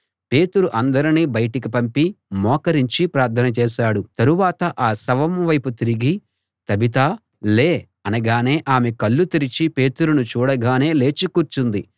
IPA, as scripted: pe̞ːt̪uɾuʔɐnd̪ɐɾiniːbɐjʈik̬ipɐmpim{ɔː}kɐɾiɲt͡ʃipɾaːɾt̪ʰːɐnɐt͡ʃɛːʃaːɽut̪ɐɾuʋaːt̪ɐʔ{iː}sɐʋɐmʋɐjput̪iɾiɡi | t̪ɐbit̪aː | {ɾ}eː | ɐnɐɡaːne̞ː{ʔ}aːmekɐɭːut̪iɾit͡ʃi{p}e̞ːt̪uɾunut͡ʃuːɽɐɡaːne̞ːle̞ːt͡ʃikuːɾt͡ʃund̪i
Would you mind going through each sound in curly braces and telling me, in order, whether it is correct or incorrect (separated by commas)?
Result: correct, incorrect, incorrect, correct, correct